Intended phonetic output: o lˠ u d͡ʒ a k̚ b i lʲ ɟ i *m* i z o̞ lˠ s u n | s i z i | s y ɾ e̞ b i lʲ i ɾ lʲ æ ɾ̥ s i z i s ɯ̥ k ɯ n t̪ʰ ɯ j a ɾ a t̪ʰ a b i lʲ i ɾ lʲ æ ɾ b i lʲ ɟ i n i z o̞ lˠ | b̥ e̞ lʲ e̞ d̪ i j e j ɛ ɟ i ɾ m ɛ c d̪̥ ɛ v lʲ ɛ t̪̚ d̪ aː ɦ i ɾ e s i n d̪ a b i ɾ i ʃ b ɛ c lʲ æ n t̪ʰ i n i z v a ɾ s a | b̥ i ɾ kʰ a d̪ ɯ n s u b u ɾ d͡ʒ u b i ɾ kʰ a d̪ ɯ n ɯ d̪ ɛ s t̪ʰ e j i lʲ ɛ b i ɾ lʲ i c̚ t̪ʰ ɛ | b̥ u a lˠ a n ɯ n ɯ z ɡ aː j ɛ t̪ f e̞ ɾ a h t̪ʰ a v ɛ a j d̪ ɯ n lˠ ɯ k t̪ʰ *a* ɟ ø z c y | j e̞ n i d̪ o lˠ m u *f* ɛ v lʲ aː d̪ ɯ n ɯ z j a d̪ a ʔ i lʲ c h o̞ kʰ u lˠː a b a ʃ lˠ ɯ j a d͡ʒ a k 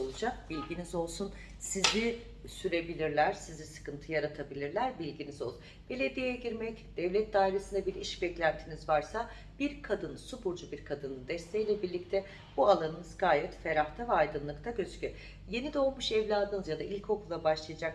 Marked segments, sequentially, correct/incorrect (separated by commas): incorrect, correct, incorrect